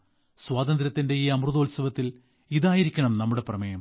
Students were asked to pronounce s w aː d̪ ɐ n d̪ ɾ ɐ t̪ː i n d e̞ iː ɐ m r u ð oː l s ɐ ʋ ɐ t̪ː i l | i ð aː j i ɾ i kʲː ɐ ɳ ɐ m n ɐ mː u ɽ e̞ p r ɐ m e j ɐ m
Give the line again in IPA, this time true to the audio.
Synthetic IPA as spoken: s w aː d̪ ɐ n d̪ ɾ ɐ t̪ː i n d e̞ iː ɐ m r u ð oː l s ɐ ʋ ɐ t̪ː i l | i ð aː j i ɾ i kʲː ɐ ɳ ɐ m n ɐ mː u ɽ e̞ p r ɐ m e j ɐ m